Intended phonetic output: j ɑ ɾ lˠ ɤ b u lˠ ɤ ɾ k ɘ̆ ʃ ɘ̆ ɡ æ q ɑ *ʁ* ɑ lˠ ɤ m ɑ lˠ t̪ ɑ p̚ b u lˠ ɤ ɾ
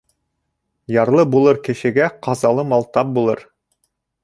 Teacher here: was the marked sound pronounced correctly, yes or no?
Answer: no